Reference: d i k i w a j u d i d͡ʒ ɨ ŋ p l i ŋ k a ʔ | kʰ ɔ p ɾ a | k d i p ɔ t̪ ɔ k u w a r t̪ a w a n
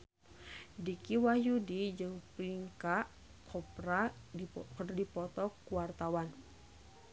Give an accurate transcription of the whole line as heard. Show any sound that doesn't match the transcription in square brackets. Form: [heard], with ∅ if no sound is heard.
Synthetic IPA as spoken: d i k i w a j u d i d͡ʒ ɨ ŋ p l i ŋ k a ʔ | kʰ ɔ p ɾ a | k d i p ɔ t̪ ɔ k u w a r t̪ a w a n